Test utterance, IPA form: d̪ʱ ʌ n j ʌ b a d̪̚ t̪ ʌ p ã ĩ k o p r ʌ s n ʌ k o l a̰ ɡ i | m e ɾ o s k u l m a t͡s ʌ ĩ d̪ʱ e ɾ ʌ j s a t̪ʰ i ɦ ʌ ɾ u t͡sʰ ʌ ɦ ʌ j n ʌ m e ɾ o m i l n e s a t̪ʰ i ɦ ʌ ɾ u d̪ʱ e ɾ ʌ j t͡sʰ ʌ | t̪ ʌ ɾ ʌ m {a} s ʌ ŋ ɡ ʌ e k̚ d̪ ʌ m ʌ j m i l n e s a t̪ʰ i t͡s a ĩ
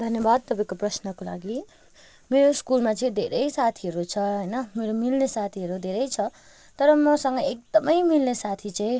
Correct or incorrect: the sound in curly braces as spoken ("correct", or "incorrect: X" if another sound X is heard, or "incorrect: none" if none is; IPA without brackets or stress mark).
incorrect: ʌ